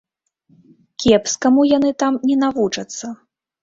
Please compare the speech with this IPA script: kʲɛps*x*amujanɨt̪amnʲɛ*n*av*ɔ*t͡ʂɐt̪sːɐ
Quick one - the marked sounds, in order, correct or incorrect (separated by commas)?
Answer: incorrect, correct, incorrect